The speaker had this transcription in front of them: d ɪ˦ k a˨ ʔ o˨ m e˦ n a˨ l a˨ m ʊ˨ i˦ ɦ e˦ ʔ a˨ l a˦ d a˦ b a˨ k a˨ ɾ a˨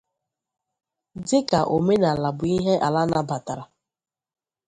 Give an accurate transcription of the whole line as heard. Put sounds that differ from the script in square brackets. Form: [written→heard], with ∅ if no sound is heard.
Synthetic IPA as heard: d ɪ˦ k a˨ ʔ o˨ m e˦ n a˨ l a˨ [m→b] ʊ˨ i˦ ɦ e˦ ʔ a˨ l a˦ [d→n] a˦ b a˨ [k→t] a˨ ɾ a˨